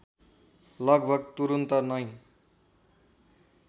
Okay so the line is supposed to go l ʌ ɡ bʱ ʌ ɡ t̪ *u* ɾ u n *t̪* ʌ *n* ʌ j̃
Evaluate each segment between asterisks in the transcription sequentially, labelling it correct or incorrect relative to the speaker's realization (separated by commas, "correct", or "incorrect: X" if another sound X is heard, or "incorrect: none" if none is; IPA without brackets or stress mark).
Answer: correct, correct, correct